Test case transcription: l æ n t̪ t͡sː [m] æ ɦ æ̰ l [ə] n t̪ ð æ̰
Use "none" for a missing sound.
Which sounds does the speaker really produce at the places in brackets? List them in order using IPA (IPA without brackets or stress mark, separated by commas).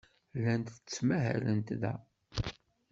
m, ə